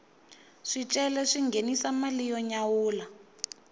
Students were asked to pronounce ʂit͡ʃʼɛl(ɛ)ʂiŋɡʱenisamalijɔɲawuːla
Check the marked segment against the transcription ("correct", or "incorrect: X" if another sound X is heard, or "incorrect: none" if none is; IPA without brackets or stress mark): correct